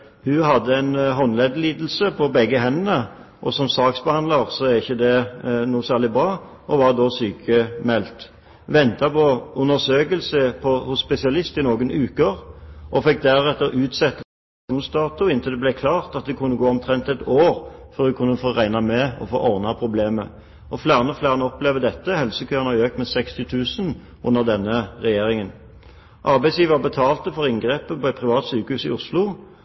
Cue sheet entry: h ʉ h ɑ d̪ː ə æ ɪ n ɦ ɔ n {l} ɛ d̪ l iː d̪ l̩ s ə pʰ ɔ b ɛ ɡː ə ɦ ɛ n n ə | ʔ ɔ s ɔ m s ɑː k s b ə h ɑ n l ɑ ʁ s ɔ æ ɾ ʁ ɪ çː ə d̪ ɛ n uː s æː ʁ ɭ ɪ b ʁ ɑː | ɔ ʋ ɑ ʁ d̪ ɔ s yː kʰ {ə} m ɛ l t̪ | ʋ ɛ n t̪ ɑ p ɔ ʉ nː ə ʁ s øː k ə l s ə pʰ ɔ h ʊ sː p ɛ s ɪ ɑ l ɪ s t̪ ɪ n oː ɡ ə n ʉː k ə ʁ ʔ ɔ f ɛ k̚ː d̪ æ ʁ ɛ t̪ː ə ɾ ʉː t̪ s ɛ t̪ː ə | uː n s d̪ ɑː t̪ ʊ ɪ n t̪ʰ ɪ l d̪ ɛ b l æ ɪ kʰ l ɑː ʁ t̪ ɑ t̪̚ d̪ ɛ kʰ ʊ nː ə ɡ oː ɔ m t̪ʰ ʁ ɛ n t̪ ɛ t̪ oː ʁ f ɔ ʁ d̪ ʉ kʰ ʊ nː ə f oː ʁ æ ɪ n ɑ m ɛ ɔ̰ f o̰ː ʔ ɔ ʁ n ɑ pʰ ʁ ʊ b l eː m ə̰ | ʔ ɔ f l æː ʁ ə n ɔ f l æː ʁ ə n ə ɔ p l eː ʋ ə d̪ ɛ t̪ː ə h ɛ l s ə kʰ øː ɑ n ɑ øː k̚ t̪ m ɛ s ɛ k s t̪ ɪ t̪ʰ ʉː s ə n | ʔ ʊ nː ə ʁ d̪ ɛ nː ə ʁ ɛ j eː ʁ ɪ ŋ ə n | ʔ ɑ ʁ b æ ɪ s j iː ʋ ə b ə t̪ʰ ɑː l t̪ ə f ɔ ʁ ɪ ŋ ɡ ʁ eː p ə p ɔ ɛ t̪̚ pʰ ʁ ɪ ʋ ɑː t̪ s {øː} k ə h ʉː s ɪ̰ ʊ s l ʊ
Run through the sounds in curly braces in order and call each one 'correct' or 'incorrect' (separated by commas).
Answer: correct, correct, incorrect